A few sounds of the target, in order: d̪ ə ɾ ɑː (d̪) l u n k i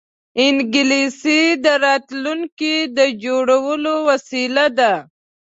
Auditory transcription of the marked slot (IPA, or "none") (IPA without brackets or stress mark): t̪